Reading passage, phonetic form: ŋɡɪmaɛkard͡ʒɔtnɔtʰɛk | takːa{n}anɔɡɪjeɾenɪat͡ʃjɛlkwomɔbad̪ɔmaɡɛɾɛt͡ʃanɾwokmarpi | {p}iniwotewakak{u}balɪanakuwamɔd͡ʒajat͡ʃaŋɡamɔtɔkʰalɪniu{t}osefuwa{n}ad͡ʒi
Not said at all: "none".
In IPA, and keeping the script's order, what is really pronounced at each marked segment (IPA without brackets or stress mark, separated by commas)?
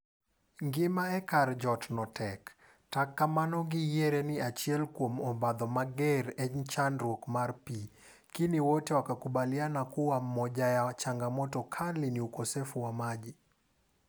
m, k, u, k, m